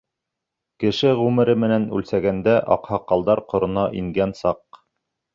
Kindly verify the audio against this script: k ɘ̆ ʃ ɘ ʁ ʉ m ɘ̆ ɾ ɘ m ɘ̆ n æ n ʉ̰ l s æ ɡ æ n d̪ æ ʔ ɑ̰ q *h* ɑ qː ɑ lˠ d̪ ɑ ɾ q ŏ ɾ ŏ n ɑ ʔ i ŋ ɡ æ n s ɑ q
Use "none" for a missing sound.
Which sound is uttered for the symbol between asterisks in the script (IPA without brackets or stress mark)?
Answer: h